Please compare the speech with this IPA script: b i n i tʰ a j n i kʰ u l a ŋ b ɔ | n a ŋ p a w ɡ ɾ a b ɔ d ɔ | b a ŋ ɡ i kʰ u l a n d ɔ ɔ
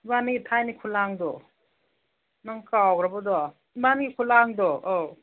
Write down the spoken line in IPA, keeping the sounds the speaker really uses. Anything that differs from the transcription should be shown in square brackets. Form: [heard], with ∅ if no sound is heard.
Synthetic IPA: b [a] n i tʰ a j n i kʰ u l a ŋ [d] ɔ | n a ŋ [k] a w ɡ ɾ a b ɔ d ɔ | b a [n] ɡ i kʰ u l a [ŋ] d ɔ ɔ